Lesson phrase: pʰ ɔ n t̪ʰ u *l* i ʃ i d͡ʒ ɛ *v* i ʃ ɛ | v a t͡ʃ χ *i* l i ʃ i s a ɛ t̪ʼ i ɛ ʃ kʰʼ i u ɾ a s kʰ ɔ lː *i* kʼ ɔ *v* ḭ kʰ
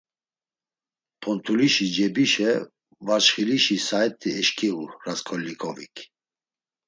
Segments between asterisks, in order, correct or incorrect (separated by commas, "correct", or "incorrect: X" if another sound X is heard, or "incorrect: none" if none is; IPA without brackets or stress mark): correct, incorrect: b, correct, correct, correct